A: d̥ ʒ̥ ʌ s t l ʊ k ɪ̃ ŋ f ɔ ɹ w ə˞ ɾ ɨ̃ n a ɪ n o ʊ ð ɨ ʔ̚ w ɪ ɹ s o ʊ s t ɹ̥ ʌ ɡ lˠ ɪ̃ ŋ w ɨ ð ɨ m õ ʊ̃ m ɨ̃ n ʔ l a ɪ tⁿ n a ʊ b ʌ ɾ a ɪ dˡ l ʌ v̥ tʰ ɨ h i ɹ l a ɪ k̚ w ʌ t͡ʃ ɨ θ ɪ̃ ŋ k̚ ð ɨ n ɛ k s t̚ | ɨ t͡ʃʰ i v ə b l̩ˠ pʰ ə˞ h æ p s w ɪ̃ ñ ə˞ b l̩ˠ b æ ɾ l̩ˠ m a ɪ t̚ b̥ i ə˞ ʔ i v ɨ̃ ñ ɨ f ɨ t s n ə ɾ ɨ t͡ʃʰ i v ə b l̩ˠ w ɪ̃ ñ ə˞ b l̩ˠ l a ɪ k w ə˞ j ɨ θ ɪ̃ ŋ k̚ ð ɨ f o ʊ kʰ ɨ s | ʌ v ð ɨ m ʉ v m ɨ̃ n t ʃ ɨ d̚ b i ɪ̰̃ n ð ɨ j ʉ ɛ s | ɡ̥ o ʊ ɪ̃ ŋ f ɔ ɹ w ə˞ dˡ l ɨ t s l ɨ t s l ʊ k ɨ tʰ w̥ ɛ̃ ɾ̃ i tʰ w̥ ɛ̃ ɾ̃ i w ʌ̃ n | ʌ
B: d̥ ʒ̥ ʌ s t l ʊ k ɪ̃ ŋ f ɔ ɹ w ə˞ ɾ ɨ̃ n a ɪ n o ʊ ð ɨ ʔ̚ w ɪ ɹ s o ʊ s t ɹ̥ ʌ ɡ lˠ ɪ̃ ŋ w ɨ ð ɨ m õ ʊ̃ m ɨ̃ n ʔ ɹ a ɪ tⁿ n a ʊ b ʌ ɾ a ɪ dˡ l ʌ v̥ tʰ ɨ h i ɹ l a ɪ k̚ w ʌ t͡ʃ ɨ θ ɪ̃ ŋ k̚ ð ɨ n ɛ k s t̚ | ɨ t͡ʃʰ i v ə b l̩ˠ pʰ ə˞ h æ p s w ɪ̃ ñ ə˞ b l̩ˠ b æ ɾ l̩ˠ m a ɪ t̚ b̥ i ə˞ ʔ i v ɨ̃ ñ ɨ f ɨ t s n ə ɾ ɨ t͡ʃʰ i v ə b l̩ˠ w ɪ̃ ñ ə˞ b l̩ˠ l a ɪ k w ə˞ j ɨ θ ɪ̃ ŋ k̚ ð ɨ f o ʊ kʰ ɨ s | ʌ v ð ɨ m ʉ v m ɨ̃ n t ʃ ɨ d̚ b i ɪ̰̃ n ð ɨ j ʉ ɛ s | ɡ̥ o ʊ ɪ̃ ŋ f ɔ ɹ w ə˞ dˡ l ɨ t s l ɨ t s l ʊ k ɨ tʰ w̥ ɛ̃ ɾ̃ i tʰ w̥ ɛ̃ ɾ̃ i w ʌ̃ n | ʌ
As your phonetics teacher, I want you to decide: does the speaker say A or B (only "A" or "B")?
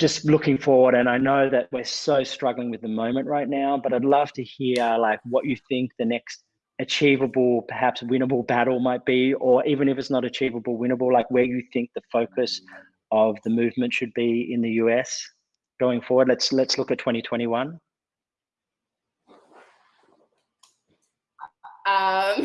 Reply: B